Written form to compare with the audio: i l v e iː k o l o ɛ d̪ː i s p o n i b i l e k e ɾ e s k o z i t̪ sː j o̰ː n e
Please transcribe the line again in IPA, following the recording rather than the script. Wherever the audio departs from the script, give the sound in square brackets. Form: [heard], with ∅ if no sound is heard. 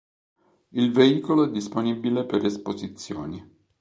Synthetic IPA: i l v e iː k o l o ɛ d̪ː i s p o n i b i l e [p] e ɾ e s [p] o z i t̪ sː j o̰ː n [i]